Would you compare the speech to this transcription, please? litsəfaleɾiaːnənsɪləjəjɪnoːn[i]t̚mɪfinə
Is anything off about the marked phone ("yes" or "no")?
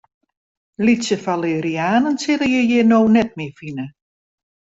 yes